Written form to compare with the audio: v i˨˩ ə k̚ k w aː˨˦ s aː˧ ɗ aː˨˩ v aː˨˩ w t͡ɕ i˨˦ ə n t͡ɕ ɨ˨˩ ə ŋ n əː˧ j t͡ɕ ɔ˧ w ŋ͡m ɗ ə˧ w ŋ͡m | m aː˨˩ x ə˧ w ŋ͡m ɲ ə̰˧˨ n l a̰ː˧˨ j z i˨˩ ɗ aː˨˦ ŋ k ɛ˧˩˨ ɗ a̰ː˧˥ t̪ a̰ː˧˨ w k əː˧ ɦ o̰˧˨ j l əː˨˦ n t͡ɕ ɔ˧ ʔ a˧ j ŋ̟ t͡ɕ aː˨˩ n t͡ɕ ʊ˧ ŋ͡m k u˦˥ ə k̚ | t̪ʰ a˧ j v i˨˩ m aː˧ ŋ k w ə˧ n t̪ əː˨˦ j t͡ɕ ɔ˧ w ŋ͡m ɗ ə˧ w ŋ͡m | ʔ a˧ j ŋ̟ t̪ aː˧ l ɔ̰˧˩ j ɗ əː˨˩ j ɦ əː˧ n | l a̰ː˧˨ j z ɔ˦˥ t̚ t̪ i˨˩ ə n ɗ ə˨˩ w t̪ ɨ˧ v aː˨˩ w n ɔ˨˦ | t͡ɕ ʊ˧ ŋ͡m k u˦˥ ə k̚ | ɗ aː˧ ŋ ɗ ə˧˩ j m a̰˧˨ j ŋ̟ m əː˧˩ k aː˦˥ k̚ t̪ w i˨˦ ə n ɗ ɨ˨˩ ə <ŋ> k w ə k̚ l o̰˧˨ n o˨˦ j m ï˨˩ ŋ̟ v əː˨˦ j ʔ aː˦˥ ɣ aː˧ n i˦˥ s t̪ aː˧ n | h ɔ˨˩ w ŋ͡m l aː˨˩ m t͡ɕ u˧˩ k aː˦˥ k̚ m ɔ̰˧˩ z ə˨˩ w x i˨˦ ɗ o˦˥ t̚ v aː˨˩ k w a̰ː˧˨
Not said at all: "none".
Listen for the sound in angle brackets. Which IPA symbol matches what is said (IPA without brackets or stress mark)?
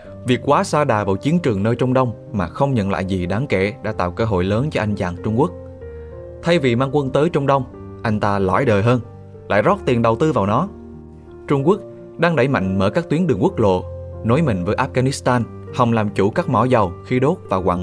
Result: ŋ